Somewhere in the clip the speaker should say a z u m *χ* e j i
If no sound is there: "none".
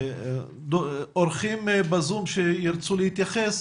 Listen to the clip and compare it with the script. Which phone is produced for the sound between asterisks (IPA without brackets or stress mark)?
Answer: ʃ